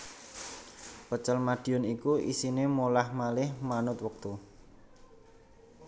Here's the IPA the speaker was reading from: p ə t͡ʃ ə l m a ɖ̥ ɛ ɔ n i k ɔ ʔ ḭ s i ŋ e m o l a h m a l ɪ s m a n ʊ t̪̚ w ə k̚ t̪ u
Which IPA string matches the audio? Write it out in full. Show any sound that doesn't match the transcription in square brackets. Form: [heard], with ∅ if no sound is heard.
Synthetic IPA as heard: p ə t͡ʃ ə l m a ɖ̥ [i] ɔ n i k [u] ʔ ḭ s i [n] e m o l a h m a l ɪ [h] m a n ʊ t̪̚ w ə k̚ t̪ u